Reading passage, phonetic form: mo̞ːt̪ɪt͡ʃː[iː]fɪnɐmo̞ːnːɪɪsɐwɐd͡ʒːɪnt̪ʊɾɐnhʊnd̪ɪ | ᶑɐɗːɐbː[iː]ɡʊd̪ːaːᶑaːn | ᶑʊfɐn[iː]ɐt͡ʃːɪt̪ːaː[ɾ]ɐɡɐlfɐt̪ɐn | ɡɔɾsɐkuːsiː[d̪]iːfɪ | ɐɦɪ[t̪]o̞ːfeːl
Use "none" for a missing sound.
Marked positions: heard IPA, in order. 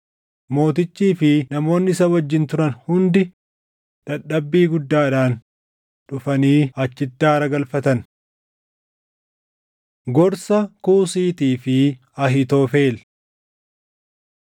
iː, iː, iː, ɾ, t̪, t̪

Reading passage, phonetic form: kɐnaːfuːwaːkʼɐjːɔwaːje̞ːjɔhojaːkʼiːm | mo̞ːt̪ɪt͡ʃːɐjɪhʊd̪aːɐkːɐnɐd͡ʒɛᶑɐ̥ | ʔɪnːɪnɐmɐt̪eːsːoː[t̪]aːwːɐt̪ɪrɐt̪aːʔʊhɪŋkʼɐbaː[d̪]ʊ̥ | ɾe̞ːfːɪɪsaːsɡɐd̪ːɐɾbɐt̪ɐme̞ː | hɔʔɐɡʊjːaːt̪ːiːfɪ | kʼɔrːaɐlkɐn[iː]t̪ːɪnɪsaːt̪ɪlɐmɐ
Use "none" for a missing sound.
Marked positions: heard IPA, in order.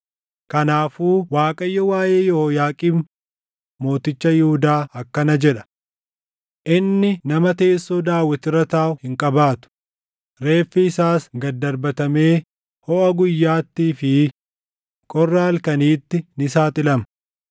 d̪, t̪, iː

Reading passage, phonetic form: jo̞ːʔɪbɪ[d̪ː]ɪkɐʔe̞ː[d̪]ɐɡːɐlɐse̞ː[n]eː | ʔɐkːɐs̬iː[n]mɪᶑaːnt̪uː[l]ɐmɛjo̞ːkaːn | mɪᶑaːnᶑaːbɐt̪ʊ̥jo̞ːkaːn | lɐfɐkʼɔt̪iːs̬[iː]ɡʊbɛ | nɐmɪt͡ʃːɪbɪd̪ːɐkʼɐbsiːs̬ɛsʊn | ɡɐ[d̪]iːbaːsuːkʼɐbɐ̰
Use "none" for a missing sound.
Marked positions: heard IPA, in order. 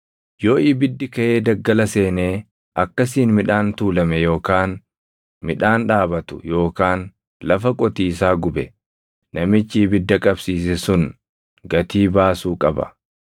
d̪ː, d̪, n, n, l, aː, t̪

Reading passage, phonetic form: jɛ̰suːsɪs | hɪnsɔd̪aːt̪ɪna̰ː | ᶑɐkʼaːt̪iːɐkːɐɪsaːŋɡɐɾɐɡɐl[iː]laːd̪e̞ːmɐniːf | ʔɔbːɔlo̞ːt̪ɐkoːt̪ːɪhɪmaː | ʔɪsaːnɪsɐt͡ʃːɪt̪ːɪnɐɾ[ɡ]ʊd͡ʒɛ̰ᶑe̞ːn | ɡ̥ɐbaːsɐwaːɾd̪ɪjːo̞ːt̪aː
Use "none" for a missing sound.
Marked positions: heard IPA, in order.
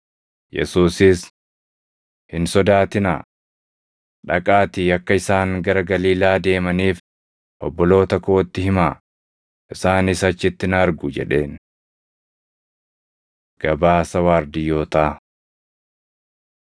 iː, ɡ

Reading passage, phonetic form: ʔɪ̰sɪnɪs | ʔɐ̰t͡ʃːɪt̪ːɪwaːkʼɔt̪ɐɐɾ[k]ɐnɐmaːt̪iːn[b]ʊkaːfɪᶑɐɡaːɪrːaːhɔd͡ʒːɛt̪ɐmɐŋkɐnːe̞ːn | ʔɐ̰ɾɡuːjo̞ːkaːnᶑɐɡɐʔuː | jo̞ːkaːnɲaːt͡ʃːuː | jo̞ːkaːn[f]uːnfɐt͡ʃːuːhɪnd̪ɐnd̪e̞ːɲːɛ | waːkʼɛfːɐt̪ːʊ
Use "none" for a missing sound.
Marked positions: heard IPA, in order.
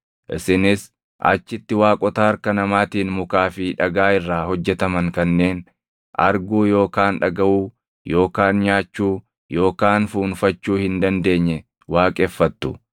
k, m, f

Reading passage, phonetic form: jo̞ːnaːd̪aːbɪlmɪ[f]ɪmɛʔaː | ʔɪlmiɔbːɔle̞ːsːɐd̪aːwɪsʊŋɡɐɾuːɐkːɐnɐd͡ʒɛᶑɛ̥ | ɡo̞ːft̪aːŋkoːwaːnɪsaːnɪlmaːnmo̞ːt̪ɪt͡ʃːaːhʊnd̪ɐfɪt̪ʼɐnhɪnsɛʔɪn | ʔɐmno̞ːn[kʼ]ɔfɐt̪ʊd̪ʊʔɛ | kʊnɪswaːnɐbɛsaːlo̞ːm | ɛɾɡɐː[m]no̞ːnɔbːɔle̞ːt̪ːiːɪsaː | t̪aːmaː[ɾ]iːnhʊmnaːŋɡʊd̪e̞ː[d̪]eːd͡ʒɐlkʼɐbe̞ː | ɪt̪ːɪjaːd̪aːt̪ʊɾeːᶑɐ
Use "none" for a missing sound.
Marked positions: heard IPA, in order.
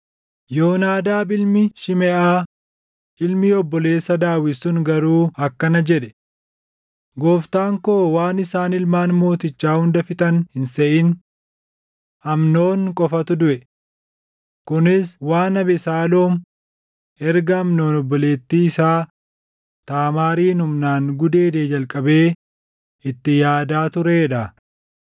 ʃ, kʼ, m, ɾ, d̪

